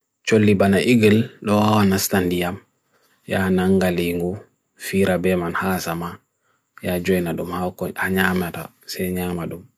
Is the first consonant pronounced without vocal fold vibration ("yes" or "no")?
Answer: yes